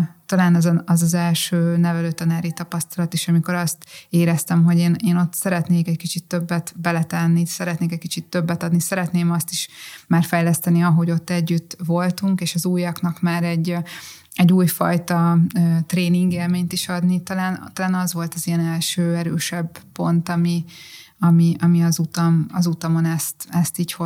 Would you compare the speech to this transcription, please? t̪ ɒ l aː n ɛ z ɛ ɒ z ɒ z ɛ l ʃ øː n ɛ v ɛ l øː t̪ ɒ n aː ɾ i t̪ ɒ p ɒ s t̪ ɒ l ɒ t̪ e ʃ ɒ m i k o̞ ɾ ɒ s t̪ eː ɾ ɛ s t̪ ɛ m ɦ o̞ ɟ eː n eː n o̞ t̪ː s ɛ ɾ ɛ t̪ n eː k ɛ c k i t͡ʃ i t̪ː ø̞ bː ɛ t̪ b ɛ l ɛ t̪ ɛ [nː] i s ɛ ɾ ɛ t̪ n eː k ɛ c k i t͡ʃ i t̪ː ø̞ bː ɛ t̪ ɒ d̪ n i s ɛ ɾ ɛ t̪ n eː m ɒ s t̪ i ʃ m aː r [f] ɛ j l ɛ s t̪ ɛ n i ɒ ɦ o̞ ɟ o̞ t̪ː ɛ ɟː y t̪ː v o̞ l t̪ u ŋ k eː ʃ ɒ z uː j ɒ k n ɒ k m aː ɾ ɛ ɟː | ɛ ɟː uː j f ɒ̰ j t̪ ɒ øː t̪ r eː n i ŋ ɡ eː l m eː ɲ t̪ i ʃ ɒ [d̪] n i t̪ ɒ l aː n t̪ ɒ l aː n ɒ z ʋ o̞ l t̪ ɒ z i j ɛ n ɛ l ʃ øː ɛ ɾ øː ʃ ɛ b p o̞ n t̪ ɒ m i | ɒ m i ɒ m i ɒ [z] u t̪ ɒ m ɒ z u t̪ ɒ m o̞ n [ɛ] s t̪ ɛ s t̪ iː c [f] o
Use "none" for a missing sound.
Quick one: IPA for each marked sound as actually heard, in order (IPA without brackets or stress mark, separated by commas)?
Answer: nː, f, d̪, z, ɛ, h